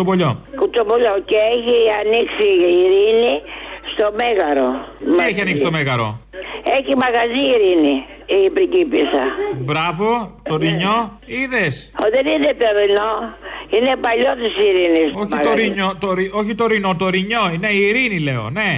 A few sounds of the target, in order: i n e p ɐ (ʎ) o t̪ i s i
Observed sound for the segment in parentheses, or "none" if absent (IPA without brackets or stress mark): ʎ